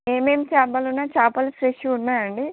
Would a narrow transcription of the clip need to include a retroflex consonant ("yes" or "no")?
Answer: yes